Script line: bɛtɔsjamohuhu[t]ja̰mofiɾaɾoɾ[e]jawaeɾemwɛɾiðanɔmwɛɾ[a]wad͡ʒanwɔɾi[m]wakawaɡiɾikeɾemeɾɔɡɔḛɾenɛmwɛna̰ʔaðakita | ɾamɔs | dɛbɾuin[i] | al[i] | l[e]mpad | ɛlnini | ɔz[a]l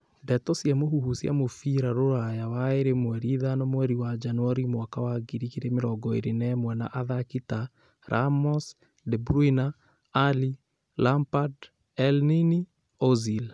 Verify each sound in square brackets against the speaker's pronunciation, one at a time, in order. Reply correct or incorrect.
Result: incorrect, incorrect, incorrect, correct, incorrect, correct, incorrect, incorrect

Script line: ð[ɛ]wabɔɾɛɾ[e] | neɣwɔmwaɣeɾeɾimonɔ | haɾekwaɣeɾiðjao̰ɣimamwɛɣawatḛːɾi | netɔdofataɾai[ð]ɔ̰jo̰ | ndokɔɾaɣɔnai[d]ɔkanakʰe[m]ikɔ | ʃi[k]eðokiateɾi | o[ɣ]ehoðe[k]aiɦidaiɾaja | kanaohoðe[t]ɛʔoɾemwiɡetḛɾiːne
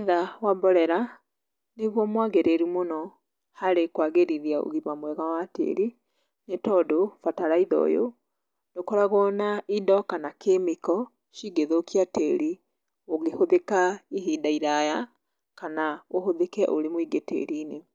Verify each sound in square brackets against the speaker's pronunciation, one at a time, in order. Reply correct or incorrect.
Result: incorrect, incorrect, correct, correct, correct, incorrect, correct, correct, incorrect

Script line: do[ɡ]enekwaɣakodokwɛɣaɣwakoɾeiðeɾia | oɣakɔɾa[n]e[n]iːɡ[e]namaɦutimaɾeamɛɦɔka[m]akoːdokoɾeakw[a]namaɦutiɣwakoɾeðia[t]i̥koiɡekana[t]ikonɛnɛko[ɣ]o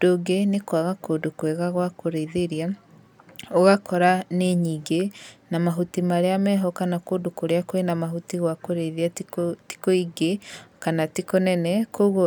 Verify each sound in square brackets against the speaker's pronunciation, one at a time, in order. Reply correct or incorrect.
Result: correct, correct, incorrect, correct, incorrect, incorrect, correct, correct, correct

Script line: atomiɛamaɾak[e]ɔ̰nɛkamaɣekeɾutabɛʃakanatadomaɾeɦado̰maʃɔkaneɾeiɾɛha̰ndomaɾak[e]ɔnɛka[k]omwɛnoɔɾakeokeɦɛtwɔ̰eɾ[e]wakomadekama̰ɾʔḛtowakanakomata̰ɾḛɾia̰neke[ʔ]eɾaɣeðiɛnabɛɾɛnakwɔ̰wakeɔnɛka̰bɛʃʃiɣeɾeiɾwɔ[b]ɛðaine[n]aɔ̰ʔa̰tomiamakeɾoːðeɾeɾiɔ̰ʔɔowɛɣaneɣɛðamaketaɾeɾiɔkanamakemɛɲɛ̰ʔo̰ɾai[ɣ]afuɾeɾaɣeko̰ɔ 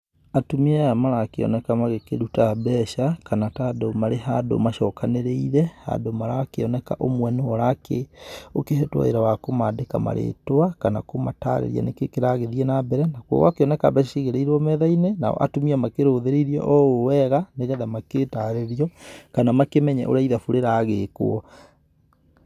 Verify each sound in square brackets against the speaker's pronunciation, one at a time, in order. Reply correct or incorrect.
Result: correct, correct, incorrect, incorrect, incorrect, incorrect, correct, incorrect

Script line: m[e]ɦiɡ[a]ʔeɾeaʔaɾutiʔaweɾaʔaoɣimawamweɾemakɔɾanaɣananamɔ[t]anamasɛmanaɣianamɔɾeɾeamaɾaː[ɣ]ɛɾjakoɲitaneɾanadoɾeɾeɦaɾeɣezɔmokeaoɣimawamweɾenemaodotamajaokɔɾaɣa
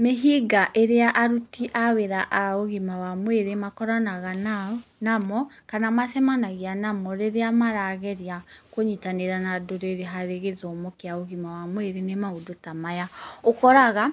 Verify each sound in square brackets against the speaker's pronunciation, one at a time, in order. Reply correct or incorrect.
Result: correct, correct, incorrect, correct

